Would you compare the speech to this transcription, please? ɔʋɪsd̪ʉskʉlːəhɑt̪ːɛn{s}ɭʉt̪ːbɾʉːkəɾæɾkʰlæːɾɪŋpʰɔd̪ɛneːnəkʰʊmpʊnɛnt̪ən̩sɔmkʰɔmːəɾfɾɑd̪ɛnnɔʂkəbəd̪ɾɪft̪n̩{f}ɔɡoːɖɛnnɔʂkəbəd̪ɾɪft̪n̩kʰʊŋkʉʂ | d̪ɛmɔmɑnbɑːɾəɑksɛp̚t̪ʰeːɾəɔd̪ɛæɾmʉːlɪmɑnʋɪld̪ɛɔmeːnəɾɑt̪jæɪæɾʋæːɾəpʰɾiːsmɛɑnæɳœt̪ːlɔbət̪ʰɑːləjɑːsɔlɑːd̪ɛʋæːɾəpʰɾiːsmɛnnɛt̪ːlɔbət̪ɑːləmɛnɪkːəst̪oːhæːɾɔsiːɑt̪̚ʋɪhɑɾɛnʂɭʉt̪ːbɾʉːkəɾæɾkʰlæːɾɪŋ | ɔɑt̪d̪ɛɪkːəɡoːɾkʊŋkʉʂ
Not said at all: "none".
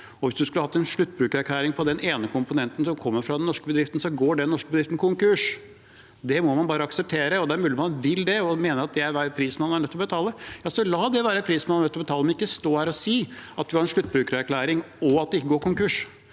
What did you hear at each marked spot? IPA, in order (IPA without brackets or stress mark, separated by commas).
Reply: ʂ, s